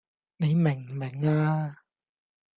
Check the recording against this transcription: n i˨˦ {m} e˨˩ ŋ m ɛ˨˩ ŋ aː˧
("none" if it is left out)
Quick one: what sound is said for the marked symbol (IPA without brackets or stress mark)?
m